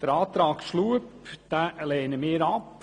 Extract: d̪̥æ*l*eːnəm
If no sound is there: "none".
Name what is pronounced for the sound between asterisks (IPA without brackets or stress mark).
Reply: l